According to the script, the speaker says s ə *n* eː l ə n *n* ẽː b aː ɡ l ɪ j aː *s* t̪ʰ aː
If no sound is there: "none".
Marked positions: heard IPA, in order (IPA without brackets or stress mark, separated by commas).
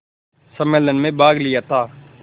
m, m, none